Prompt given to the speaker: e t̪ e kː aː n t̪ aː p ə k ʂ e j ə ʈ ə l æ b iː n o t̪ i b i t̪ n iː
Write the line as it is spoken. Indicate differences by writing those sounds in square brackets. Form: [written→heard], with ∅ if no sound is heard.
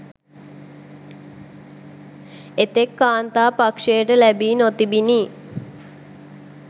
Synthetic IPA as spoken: e t̪ e kː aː n t̪ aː p [ə→a] k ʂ e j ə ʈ ə l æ b iː n o t̪ i b i [t̪→∅] n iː